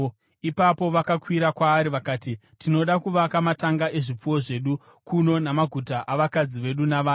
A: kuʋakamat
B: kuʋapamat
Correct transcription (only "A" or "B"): A